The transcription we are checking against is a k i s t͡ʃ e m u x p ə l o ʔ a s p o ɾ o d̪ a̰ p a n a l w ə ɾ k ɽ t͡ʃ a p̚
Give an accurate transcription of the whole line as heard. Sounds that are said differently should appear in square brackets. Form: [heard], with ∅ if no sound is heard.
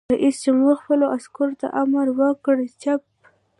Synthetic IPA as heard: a [ʔ] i s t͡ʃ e m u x p ə l o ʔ a s [k] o ɾ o [t̪] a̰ [ʔ] a [m] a [ɾ] w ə [∅] k ɽ t͡ʃ a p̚